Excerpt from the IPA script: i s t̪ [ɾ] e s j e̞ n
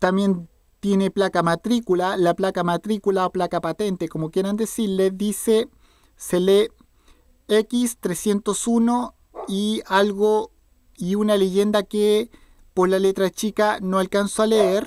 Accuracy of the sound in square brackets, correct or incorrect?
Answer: correct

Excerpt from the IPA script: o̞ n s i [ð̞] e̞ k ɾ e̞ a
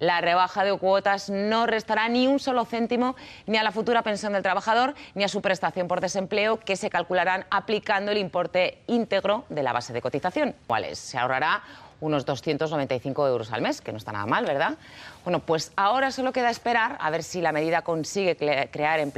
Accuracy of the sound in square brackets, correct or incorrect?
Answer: incorrect: ɣ̞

